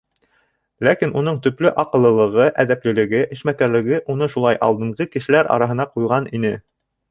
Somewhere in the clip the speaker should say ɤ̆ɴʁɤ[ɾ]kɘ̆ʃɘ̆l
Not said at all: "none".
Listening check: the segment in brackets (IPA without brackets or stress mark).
none